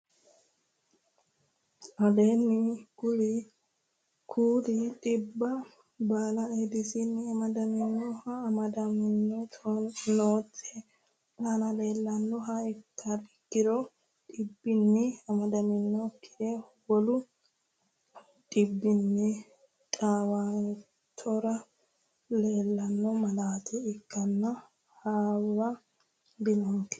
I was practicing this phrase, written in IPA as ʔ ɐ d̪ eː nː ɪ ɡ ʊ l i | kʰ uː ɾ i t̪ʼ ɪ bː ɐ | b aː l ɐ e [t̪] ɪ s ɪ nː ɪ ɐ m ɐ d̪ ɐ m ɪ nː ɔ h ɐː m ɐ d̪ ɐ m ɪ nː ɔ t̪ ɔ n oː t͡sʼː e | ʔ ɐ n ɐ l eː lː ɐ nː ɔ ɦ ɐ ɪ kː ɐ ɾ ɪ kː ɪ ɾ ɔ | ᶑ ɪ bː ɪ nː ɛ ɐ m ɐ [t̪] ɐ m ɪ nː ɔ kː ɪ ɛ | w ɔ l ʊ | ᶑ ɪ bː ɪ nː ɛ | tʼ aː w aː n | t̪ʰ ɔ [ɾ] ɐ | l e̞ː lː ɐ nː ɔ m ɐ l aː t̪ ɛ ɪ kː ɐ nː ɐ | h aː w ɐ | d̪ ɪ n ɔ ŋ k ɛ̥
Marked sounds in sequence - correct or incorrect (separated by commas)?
incorrect, incorrect, correct